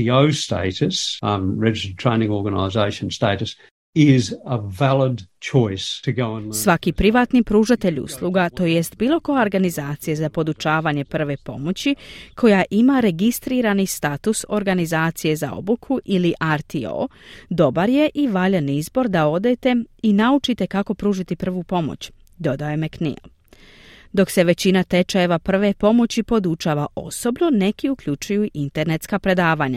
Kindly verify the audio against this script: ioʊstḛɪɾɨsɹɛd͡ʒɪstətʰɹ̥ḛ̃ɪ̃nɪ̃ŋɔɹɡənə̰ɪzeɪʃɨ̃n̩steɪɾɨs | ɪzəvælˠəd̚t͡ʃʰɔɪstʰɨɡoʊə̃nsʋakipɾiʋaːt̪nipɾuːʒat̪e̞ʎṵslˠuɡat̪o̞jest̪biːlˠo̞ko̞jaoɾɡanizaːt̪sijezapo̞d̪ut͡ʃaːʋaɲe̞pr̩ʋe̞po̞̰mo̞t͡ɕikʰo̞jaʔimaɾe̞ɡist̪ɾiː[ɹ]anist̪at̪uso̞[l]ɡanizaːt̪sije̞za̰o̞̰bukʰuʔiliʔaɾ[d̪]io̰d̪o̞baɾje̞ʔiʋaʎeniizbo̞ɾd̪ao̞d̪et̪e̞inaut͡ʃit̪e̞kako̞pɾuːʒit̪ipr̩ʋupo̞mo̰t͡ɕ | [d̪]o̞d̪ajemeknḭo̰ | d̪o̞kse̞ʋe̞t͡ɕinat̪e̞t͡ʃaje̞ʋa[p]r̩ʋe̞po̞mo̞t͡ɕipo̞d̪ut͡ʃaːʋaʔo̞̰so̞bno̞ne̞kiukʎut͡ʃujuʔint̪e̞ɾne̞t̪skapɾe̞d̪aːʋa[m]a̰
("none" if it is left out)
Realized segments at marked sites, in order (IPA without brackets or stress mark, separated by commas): ɾ, ɾ, t̪, d̪, p, ɲ